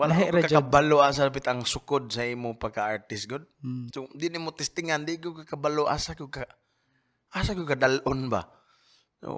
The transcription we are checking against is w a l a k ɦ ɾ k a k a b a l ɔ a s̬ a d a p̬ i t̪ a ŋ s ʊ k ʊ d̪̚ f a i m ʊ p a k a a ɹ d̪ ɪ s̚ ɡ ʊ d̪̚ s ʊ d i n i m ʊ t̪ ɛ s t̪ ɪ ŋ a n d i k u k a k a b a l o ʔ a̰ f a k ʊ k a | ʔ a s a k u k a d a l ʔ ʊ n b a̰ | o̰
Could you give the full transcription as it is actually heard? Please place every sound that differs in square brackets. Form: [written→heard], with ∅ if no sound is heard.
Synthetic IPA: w a l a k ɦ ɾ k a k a b a l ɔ a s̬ a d a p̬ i t̪ a ŋ s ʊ k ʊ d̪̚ [f→s] a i m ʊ p a k a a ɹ [d̪→t̪] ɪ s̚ ɡ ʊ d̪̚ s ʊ d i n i m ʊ t̪ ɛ s t̪ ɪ ŋ a n d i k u k a k a b a l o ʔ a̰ [f→s] a k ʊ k a | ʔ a s a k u k a d a l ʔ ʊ n b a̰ | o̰